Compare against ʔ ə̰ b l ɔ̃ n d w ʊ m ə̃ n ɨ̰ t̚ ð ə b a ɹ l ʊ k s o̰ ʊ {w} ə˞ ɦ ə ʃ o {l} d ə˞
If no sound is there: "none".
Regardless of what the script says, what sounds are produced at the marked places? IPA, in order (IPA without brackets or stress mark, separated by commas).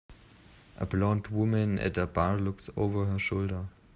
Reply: v, l